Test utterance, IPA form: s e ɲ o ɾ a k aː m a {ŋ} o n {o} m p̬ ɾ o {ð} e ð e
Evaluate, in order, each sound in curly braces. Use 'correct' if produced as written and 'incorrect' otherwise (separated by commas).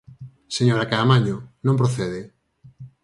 incorrect, incorrect, incorrect